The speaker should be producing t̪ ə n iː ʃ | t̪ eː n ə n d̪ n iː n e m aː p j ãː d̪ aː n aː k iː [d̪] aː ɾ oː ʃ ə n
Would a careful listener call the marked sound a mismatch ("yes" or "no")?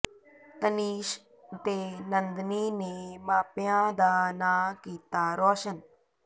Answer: yes